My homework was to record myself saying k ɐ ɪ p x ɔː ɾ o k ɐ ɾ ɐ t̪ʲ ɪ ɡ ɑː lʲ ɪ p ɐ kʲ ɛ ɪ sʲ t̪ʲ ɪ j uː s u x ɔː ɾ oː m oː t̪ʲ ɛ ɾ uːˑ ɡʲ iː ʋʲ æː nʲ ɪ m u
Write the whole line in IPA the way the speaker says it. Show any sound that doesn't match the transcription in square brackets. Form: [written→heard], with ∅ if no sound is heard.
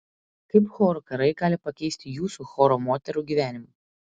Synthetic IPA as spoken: k ɐ ɪ p x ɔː ɾ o k ɐ ɾ ɐ [t̪ʲ→∅] ɪ ɡ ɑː lʲ ɪ p ɐ kʲ ɛ ɪ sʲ t̪ʲ ɪ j uː s u x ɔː ɾ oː m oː t̪ʲ ɛ ɾ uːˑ ɡʲ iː ʋʲ æː nʲ ɪ m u